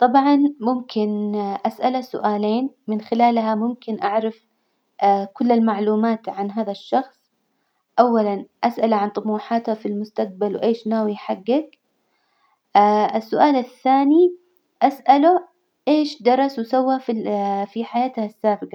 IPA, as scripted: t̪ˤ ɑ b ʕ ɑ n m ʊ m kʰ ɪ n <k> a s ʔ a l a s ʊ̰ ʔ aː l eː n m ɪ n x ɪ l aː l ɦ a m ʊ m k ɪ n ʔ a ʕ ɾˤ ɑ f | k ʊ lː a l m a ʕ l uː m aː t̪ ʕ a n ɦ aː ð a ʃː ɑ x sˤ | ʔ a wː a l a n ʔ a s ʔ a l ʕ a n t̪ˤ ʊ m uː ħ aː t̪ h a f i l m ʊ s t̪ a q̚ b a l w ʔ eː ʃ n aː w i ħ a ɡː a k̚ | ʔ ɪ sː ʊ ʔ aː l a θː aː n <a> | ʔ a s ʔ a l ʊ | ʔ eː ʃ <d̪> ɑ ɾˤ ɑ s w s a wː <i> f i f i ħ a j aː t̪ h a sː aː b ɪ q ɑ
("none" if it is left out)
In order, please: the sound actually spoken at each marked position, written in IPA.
ʔ, i, d̪, a

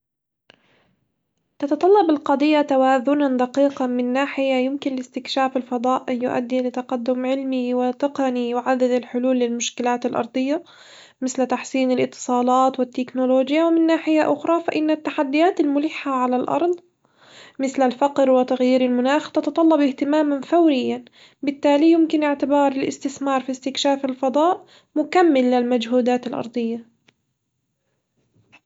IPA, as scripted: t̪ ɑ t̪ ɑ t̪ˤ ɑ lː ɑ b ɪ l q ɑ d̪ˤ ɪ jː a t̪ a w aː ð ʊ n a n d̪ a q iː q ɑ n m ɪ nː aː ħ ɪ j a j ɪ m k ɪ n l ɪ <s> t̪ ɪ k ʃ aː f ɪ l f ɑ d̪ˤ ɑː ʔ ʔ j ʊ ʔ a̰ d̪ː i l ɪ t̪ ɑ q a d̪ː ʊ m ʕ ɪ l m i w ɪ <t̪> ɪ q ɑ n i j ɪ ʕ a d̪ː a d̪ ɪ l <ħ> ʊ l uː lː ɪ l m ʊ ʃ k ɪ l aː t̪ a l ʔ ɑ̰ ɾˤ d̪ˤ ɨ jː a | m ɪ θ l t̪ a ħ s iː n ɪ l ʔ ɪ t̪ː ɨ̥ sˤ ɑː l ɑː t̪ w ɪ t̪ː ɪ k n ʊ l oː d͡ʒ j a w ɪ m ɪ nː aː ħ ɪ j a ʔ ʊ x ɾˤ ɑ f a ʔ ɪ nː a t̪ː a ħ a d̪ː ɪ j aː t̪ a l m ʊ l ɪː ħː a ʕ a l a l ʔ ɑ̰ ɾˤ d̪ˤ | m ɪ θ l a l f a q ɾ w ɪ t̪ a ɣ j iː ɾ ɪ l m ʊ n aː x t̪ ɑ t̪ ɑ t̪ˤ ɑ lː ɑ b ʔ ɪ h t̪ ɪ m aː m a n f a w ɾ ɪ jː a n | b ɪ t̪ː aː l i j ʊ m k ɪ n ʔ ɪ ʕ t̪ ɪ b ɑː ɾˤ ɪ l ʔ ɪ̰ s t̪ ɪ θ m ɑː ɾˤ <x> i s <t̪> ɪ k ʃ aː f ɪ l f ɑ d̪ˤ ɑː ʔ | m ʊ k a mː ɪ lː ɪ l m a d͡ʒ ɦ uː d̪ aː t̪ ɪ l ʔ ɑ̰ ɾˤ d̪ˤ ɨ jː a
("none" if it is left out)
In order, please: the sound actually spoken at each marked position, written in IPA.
s, t̪, ħ, f, t̪

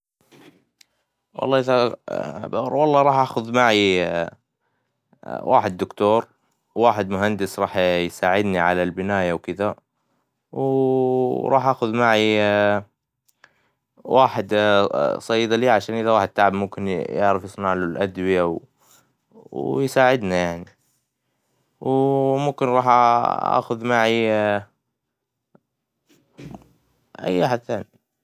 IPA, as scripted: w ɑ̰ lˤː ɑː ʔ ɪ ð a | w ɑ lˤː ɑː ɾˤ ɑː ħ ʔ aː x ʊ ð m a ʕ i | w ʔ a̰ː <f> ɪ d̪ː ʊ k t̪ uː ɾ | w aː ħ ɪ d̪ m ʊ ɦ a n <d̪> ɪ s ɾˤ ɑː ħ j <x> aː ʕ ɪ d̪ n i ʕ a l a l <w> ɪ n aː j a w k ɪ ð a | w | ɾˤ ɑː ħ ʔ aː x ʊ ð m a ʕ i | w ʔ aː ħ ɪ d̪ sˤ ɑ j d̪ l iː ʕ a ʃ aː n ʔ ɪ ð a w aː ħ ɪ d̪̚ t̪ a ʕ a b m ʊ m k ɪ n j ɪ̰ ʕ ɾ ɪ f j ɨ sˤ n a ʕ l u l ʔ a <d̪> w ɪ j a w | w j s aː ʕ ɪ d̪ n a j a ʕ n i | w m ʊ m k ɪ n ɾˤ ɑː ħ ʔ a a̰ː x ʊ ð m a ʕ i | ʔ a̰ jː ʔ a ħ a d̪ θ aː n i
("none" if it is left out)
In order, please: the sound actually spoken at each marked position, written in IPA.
ħ, d̪, s, b, d̪

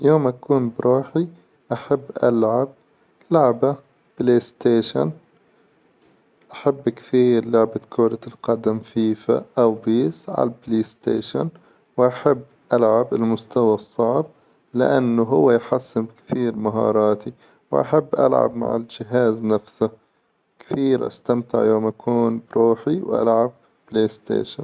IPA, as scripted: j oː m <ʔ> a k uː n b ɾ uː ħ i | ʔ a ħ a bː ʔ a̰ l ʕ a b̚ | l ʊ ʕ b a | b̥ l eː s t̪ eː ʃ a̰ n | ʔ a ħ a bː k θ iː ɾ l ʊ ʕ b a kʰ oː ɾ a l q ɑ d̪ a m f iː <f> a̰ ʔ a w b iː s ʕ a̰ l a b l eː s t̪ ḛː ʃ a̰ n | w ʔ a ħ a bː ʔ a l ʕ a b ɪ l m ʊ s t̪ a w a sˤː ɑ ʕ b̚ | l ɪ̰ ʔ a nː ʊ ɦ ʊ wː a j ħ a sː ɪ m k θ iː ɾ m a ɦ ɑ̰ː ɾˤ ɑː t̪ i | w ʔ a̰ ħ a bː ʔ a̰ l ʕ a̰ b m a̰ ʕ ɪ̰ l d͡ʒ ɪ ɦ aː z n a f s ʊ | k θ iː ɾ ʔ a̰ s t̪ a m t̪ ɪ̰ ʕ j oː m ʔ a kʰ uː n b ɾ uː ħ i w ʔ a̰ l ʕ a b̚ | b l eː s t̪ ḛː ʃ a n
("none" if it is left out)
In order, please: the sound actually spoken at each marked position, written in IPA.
ʔ, f

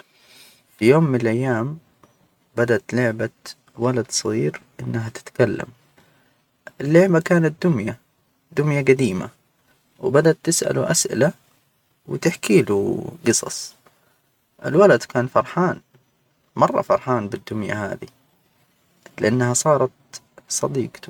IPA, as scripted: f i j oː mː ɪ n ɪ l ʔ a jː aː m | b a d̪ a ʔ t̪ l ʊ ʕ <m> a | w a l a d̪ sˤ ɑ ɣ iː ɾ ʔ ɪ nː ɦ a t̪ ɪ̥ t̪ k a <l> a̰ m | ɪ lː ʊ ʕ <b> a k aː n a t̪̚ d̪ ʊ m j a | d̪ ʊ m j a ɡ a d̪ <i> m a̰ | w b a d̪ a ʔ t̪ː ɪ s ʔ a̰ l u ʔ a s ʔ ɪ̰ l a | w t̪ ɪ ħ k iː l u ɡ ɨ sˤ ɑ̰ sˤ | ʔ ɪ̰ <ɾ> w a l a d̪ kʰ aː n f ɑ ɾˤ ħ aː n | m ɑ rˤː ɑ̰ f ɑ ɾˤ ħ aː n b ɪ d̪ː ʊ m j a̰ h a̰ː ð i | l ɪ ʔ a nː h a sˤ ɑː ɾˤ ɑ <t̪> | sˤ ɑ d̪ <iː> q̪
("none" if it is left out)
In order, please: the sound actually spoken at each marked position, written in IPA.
b, lː, b, iː, l, t̪, iː

